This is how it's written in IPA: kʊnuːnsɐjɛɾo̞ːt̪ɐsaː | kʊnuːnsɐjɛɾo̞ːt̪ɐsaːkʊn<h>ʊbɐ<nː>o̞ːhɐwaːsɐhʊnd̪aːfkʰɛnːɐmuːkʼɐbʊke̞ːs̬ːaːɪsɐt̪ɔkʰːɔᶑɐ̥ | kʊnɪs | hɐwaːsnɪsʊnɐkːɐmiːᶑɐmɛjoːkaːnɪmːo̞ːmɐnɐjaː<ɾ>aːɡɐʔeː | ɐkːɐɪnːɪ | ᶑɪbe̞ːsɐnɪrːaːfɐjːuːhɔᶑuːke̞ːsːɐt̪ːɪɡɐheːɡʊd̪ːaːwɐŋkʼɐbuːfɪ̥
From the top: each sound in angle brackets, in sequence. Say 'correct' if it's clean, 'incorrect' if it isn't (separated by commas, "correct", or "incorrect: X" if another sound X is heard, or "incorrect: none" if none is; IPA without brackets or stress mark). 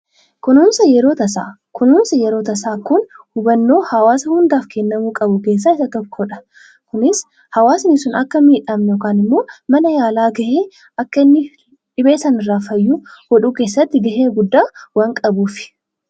correct, correct, incorrect: l